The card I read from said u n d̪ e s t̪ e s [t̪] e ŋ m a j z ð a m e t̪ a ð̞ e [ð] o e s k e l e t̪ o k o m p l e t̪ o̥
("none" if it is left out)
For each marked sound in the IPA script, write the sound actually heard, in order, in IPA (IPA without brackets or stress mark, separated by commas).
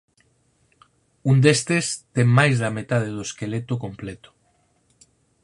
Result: t̪, ð